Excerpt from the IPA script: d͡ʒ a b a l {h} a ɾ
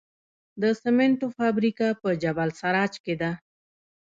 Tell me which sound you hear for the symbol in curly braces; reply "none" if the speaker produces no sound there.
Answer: s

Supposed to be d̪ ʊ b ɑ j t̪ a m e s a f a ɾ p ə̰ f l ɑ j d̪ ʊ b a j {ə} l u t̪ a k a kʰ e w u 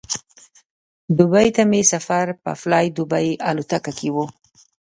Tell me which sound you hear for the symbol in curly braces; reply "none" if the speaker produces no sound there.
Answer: a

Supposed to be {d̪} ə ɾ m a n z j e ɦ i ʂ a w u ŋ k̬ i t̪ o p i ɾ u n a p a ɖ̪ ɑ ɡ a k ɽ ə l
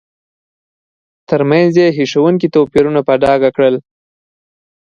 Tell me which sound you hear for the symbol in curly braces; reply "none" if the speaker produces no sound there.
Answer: t̪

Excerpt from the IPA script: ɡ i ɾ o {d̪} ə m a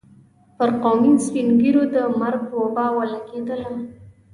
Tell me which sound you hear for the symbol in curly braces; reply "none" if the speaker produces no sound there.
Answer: d̪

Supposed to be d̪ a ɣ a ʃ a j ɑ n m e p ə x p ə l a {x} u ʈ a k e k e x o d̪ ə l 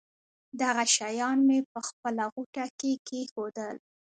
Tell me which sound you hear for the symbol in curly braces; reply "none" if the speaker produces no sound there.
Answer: ɣ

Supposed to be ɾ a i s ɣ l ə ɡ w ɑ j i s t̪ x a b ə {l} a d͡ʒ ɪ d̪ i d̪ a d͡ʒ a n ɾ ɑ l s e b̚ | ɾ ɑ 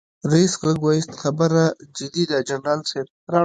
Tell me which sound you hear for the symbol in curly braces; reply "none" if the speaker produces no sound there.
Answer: ɾ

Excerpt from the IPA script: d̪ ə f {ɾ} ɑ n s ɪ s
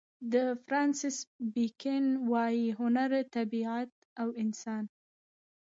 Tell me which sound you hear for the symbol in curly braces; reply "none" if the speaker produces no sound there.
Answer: ɾ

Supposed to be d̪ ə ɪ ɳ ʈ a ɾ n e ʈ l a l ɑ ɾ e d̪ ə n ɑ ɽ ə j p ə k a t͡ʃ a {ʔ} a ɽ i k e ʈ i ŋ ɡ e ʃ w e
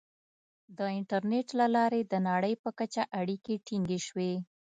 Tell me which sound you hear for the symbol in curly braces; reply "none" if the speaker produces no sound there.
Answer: ʔ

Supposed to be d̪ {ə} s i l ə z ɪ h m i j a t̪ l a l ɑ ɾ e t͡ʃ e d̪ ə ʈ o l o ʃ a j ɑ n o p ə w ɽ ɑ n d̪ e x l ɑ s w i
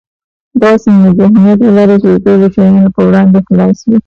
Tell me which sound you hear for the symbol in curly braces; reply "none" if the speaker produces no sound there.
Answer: ɑ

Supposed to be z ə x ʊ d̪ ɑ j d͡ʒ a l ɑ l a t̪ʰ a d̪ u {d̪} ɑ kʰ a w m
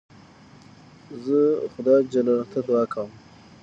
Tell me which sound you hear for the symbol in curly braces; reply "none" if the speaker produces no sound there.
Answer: none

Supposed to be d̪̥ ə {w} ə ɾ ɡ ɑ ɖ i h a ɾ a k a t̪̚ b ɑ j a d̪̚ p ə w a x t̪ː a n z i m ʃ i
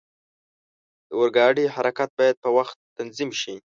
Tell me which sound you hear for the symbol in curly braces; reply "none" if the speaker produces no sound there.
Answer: w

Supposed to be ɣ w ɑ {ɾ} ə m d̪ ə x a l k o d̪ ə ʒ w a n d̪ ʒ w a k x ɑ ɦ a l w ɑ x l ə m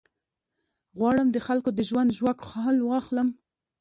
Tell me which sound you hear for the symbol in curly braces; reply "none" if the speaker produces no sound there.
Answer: ɽ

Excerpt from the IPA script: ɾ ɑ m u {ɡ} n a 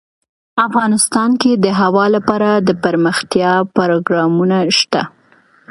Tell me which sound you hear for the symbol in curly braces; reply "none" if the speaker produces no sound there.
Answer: none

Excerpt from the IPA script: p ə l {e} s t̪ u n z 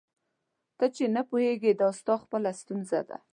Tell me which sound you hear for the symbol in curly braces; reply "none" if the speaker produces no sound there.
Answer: a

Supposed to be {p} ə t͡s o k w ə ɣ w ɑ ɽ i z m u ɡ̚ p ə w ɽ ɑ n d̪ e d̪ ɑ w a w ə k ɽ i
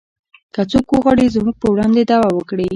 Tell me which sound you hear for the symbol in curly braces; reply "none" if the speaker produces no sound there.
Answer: k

